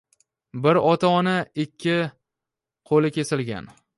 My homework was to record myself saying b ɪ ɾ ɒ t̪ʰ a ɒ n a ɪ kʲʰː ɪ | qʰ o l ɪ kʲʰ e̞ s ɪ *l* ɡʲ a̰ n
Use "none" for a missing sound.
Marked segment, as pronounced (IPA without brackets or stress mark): l